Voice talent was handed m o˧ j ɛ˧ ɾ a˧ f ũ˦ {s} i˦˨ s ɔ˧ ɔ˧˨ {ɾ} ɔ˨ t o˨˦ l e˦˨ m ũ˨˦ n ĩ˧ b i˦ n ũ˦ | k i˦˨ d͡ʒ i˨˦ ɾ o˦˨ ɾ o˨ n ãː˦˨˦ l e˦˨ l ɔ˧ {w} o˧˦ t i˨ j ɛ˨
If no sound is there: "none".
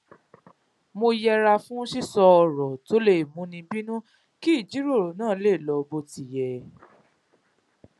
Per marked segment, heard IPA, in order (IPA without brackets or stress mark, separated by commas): ʃ, ɾ, b